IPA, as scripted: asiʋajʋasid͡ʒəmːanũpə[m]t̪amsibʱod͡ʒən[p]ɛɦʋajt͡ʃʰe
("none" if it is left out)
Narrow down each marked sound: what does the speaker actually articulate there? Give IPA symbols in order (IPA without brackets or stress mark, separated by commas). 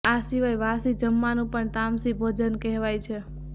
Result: ɳ, k